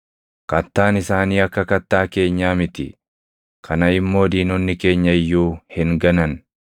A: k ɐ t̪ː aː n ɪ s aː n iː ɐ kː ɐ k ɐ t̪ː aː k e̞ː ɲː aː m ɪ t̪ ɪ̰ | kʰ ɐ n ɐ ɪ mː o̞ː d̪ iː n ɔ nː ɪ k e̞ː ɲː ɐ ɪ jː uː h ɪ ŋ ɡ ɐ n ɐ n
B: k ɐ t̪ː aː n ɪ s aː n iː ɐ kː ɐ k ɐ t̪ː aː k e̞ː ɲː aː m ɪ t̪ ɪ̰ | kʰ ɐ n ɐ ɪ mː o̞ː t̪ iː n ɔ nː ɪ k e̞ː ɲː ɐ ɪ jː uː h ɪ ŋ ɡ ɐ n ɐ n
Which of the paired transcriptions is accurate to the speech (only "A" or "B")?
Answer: A